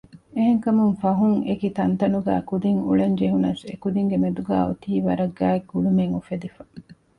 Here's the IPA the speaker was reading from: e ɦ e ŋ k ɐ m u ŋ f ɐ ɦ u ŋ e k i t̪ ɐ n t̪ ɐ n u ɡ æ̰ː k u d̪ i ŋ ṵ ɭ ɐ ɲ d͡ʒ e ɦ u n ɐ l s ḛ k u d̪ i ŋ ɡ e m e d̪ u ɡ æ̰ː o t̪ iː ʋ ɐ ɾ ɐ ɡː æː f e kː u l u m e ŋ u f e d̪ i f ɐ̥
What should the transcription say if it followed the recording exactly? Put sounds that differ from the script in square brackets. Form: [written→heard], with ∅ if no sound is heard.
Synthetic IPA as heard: e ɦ e ŋ k ɐ m u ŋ f ɐ ɦ u ŋ e k i t̪ ɐ n t̪ ɐ n u ɡ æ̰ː k u d̪ i ŋ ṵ ɭ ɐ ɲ d͡ʒ e ɦ u n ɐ [l→∅] s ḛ k u d̪ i ŋ ɡ e m e d̪ u ɡ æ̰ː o t̪ iː ʋ ɐ ɾ ɐ ɡː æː [f→∅] e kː u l u m e ŋ u f e d̪ i f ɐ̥

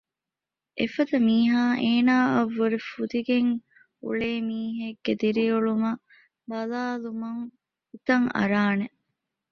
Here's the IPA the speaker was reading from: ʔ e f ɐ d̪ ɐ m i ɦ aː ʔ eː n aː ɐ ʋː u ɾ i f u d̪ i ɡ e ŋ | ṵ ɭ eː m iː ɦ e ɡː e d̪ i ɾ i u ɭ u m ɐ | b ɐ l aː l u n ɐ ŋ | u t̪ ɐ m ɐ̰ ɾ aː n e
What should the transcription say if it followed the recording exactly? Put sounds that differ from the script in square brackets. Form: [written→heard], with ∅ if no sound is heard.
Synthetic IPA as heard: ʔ e f ɐ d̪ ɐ m [i→iː] ɦ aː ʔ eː n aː ɐ ʋː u ɾ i f u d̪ i ɡ e ŋ | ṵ ɭ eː m iː ɦ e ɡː e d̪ i ɾ i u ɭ u m ɐ | b ɐ l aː l u [n→m] ɐ ŋ | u t̪ ɐ [m→ŋ] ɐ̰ ɾ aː n e

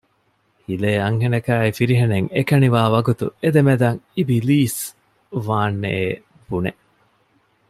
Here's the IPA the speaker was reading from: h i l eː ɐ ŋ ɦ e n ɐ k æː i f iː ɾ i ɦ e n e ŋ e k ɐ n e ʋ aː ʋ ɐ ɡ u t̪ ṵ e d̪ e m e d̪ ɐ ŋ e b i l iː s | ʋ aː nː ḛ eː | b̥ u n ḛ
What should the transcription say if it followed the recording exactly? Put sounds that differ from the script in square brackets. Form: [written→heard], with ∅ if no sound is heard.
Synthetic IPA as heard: h i l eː ɐ ŋ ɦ e n ɐ k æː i f [iː→i] ɾ i ɦ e n e ŋ e k ɐ n [e→i] ʋ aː ʋ ɐ ɡ u t̪ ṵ e d̪ e m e d̪ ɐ ŋ [e→i] b i l iː s | ʋ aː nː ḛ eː | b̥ u n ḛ

